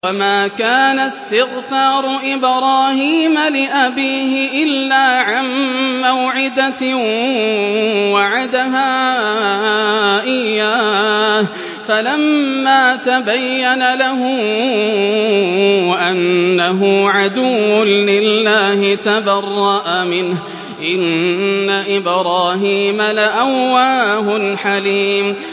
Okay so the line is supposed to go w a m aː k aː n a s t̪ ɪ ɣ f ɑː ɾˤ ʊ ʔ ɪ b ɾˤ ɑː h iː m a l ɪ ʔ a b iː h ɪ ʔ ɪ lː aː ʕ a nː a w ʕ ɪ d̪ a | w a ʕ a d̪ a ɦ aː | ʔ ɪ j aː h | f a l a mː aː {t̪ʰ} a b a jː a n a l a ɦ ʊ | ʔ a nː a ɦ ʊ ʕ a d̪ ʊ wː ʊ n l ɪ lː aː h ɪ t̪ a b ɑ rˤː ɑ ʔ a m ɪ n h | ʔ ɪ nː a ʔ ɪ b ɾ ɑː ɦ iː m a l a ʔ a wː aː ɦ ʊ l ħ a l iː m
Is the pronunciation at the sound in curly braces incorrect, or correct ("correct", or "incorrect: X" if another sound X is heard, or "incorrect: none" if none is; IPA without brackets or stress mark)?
incorrect: t̪